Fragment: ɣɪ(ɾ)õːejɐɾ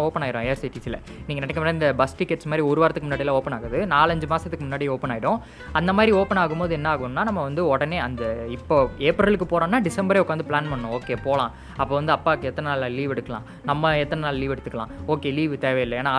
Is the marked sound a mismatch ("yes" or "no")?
no